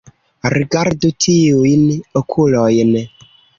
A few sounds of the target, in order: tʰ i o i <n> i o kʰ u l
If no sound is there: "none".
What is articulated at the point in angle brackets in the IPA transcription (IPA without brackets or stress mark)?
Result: n